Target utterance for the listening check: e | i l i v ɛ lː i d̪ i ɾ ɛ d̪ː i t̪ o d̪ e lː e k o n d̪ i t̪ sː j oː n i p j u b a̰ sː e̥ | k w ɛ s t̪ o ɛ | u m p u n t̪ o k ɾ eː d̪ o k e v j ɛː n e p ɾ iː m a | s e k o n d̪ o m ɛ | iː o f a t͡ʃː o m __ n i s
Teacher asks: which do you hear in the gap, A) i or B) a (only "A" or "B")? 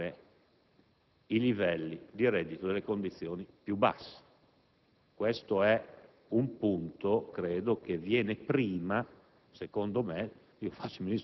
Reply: A